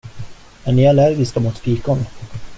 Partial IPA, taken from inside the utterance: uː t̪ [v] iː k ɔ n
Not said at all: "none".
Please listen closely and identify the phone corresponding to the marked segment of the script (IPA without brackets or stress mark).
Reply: f